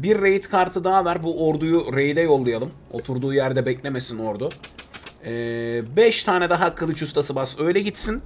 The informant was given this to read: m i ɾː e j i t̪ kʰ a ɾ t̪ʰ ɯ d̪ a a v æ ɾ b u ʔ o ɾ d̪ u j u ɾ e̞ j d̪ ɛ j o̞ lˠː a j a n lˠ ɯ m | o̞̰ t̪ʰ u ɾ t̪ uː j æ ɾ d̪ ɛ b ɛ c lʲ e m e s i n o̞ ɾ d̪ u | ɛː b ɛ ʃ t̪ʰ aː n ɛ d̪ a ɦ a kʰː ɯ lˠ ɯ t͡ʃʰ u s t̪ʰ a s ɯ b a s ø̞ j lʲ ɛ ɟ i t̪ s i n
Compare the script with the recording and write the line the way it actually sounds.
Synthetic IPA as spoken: b i ɾː e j i t̪ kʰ a ɾ t̪ʰ ɯ d̪ a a v æ ɾ b u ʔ o ɾ d̪ u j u ɾ e̞ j d̪ ɛ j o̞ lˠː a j a lˠ ɯ m | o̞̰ t̪ʰ u ɾ d̪ uː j æ ɾ d̪ ɛ b ɛ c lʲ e m e s i n o̞ ɾ d̪ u | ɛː b ɛ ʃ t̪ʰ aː n ɛ d̪ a ɦ a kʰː ɯ lˠ ɯ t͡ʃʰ u s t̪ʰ a s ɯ b a s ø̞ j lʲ ɛ ɟ i t̪ s i n